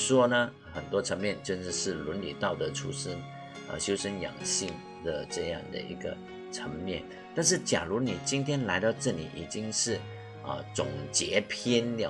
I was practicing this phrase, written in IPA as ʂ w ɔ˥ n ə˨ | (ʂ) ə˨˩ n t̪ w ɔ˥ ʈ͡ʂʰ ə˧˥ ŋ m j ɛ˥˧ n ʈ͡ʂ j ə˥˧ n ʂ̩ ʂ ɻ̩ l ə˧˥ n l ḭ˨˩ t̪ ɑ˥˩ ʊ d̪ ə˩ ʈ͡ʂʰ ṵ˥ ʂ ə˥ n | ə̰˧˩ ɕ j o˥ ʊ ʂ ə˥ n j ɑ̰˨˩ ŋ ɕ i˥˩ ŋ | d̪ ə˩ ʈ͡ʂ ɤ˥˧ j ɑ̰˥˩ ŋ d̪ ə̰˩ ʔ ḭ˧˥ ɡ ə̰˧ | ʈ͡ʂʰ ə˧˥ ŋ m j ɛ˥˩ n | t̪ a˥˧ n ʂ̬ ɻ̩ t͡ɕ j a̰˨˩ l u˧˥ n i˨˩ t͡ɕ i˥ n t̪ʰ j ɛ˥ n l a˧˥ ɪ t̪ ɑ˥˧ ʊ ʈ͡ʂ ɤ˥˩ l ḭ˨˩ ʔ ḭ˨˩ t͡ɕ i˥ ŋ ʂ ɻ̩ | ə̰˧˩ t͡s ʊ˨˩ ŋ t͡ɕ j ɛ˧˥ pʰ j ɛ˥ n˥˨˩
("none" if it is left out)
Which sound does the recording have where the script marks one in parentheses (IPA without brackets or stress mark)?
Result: x